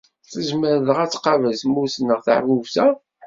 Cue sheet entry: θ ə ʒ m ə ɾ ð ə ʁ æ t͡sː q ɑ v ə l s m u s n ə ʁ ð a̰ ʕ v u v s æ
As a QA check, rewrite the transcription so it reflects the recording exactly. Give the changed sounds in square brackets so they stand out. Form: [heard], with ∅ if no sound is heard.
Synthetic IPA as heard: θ ə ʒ m ə ɾ ð ə ʁ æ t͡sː q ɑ v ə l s m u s n ə ʁ [θ] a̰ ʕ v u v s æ